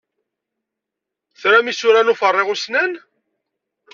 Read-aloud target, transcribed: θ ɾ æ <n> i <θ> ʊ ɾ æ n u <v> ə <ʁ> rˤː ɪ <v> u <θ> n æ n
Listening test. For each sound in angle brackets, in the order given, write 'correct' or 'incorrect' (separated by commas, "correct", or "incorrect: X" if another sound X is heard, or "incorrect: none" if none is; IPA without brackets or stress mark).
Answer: incorrect: m, incorrect: s, incorrect: f, incorrect: none, incorrect: ʁ, incorrect: s